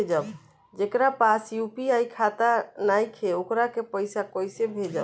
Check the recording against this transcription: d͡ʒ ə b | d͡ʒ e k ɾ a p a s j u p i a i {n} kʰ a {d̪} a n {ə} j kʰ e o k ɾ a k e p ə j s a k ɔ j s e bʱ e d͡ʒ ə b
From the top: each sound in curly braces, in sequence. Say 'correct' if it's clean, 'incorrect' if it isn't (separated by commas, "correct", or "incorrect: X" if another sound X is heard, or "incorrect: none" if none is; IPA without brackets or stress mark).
incorrect: none, incorrect: t̪, incorrect: a